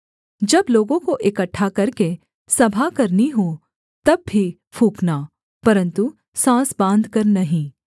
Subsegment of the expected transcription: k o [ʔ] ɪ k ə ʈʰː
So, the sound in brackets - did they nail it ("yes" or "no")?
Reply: yes